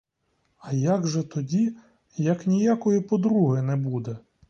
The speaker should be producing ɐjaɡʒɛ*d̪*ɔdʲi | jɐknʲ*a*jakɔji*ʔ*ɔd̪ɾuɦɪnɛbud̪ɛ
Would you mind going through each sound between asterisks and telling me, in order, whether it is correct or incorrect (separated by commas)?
incorrect, incorrect, incorrect